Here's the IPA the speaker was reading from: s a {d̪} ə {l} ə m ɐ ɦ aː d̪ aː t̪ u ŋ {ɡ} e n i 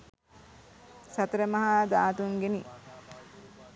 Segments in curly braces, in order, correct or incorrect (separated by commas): incorrect, incorrect, correct